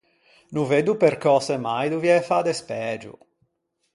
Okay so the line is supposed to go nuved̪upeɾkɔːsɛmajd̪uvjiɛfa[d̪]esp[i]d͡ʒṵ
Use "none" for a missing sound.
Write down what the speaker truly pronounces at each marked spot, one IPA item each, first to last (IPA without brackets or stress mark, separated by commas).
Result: d̪, ɛ